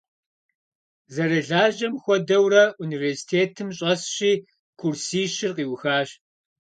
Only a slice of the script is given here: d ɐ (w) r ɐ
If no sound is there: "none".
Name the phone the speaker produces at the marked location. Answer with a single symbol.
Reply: w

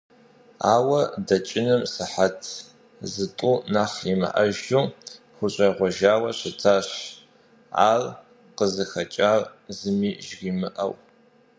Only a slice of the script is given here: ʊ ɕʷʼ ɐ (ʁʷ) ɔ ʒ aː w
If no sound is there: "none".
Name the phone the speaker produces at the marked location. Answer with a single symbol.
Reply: ʁʷ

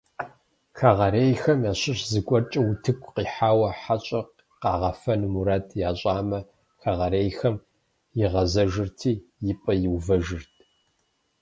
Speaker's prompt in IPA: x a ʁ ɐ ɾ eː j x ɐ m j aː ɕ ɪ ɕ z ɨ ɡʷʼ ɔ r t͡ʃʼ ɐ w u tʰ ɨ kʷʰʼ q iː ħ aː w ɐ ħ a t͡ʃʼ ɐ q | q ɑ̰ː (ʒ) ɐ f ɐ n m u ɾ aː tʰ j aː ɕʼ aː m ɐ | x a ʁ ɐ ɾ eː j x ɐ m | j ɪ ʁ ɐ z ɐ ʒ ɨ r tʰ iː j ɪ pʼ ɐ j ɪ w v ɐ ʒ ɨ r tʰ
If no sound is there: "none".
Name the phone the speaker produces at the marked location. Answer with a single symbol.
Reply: ʁ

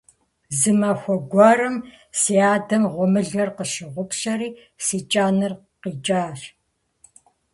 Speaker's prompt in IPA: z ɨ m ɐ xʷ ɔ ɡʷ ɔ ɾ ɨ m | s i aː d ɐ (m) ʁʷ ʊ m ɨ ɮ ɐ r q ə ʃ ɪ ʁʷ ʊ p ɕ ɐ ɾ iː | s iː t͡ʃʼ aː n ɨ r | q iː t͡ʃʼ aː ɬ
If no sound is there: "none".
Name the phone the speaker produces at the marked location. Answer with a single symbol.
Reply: m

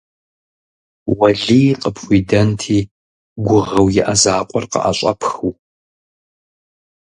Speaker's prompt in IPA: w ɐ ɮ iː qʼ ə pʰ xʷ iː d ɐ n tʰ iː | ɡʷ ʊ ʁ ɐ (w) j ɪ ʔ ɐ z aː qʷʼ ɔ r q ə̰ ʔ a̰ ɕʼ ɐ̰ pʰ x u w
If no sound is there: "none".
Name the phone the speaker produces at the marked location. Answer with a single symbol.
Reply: w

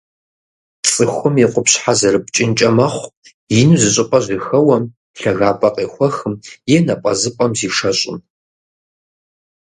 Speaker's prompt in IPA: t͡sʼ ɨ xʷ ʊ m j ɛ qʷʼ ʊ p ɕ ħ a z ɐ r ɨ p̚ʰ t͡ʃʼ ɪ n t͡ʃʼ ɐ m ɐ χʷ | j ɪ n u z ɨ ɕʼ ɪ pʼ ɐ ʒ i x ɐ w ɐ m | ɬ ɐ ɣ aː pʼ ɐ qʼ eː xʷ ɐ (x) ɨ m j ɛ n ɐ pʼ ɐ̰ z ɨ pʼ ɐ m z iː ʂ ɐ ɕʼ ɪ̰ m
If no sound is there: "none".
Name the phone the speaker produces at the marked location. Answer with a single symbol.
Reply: x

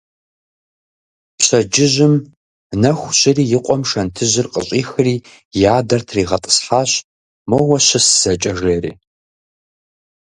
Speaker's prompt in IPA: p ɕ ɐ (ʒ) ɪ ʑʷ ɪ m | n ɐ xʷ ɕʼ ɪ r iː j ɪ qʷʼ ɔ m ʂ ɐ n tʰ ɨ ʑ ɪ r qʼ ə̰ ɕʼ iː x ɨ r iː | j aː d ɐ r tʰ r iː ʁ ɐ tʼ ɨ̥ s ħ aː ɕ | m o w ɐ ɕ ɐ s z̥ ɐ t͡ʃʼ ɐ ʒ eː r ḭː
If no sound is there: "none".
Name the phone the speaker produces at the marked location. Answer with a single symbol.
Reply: d͡ʒ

